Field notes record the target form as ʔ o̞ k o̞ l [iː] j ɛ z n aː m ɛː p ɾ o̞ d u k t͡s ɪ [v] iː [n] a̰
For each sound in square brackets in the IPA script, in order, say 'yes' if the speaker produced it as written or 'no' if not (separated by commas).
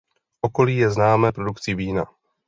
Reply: yes, yes, yes